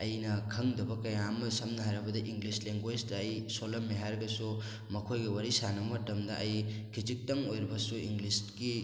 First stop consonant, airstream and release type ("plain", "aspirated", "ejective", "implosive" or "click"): aspirated